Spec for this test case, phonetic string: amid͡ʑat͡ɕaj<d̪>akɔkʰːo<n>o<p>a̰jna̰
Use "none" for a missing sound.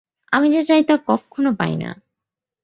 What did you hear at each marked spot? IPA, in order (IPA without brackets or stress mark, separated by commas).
t̪, n, p